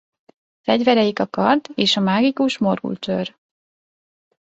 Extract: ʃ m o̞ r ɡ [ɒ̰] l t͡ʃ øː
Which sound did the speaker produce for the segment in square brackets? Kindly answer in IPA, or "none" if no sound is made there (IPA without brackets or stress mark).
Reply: ṵ